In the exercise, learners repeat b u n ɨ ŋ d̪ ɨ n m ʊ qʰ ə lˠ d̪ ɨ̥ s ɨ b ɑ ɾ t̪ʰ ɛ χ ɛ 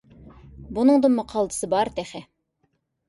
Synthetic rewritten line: b u n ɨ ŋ d̪ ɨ n m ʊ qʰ ɑ lˠ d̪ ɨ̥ s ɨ b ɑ ɾ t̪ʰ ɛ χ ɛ

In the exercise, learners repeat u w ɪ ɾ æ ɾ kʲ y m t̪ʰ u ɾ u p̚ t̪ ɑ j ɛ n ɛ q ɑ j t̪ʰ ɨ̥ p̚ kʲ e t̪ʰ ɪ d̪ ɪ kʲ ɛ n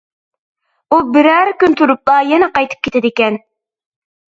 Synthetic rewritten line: u b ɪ ɾ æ ɾ kʲ y n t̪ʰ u ɾ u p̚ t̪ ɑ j ɛ n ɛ q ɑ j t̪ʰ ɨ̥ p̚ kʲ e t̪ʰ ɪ d̪ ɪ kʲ ɛ n

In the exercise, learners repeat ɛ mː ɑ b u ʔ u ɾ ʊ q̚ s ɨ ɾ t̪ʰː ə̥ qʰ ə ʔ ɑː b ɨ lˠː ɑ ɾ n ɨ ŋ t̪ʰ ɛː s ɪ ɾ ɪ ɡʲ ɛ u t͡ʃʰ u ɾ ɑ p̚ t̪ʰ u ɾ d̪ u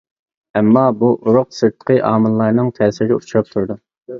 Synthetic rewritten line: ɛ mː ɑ b u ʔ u ɾ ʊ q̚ s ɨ ɾ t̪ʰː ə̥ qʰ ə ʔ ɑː m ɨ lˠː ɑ ɾ n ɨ ŋ t̪ʰ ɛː s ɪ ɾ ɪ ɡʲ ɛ u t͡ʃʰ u ɾ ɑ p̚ t̪ʰ u ɾ d̪ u

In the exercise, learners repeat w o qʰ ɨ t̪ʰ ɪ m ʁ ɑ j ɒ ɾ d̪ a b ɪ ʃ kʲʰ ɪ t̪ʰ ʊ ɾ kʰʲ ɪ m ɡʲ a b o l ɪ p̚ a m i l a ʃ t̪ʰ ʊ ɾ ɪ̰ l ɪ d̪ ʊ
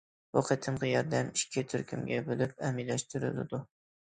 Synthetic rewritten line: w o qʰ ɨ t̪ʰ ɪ m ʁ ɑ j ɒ ɾ d̪ a m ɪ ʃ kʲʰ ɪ t̪ʰ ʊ ɾ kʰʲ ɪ m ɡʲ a b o l ɪ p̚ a m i l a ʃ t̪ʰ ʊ ɾ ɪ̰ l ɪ d̪ ʊ

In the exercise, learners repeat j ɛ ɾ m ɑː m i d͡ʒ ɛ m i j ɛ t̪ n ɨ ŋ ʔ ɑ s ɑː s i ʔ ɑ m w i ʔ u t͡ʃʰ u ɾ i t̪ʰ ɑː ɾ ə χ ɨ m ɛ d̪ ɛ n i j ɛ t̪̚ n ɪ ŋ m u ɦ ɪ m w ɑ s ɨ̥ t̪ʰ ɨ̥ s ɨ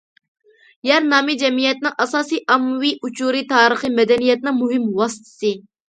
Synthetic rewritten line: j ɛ ɾ n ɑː m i d͡ʒ ɛ m i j ɛ t̪ n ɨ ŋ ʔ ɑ s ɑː s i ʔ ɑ m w i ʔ u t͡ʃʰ u ɾ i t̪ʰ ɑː ɾ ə χ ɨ m ɛ d̪ ɛ n i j ɛ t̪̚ n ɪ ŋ m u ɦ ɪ m w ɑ s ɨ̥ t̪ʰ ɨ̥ s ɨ

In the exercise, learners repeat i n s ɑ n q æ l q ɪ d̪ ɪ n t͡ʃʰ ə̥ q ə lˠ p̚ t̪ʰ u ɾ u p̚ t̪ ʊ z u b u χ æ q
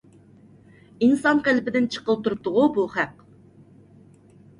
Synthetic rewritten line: i n s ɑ n q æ l p ɪ d̪ ɪ n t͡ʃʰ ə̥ q ə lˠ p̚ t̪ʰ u ɾ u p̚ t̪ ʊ ʁ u b u χ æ q

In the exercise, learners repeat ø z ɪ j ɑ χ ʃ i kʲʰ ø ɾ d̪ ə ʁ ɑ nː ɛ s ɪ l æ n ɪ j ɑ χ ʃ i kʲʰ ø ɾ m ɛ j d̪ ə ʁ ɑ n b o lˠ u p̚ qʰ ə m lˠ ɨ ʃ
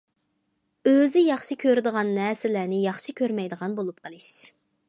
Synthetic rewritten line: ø z ɪ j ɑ χ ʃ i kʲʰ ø ɾ d̪ ə ʁ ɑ nː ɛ s ɪ l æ n ɪ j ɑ χ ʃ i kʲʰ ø ɾ m ɛ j d̪ ə ʁ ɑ n b o lˠ u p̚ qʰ ə lˠ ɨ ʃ

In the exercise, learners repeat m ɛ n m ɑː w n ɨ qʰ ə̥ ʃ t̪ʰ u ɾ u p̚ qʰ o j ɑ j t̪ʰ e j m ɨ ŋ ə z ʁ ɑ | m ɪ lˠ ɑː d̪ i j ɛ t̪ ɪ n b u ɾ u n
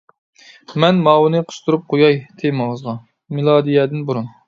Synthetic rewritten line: m ɛ n m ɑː w n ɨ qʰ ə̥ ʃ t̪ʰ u ɾ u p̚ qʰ o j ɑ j t̪ʰ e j m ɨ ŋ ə z ʁ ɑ | m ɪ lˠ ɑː d̪ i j ɛ d̪ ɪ n b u ɾ u n

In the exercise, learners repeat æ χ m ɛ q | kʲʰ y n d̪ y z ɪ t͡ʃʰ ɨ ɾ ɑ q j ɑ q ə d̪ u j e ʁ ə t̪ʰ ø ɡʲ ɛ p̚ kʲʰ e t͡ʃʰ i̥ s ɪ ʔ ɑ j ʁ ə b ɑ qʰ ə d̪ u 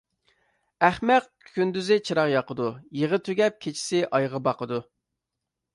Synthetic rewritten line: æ χ m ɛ q | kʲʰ y n d̪ y z ɪ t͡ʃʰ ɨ ɾ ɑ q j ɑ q ə d̪ u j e ʁ ə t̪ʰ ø ɡʲ ɛ p̚ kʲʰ e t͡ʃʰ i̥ s ɪ ʔ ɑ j ʁ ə b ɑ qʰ ə d̪ u

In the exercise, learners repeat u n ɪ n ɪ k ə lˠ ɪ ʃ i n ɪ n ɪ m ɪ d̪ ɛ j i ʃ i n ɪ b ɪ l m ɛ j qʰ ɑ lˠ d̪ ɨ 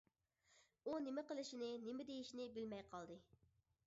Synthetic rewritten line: u n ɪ m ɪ q ə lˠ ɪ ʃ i n ɪ n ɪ m ɪ d̪ e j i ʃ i n ɪ b ɪ l m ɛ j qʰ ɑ lˠ d̪ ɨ

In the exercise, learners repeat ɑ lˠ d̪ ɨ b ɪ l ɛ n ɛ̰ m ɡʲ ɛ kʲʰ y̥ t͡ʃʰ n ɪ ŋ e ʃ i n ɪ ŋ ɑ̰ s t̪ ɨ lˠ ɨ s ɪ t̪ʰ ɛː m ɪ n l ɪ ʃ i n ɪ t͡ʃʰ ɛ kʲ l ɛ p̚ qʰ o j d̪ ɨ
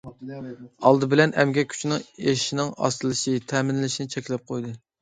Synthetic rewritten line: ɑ lˠ d̪ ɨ b ɪ l ɛ n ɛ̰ m ɡʲ ɛ kʲʰ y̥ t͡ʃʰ n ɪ ŋ e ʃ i n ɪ ŋ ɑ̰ s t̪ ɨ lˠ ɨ ʃ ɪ t̪ʰ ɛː m ɪ n l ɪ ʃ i n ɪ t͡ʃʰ ɛ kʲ l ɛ p̚ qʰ o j d̪ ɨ

